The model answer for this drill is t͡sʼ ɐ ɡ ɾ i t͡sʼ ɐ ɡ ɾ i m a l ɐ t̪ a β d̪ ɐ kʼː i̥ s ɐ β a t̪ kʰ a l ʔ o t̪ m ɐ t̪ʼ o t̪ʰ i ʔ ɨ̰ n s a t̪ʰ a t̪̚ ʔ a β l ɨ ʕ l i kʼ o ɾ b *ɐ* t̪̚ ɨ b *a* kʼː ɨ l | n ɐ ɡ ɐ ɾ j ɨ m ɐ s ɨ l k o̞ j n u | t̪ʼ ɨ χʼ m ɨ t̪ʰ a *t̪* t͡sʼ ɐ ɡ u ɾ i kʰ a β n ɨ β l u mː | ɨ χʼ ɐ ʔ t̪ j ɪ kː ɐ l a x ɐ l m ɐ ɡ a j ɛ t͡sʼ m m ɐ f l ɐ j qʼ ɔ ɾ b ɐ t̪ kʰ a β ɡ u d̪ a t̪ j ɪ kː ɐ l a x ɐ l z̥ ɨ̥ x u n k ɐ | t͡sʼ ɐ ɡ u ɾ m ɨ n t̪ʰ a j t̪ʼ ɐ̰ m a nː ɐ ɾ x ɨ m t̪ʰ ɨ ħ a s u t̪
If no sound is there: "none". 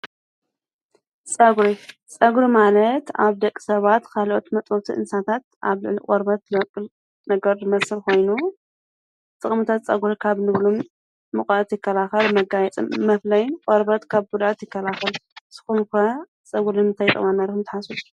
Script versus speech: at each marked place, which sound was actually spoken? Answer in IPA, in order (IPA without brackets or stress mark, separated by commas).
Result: ɐ, ɐ, t̪